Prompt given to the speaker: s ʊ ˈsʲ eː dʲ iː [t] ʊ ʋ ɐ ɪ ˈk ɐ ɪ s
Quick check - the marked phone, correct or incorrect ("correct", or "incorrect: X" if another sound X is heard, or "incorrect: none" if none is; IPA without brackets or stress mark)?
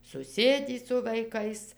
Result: incorrect: s